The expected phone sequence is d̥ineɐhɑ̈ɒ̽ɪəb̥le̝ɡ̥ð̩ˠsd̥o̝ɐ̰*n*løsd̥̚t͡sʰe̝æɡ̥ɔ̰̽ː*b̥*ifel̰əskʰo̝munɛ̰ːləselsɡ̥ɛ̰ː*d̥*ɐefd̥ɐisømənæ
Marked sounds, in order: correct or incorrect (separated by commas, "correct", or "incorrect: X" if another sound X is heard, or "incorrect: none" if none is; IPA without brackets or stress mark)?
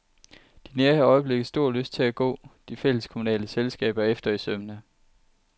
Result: incorrect: none, incorrect: d̥, incorrect: b̥